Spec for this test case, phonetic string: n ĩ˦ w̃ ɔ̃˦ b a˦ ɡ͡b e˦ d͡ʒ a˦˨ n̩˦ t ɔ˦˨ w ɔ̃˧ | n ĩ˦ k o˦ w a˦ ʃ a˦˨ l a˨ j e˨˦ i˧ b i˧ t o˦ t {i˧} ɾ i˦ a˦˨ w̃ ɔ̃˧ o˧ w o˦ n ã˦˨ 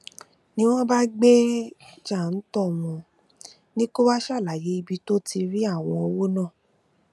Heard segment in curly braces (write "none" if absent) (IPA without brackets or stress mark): i˧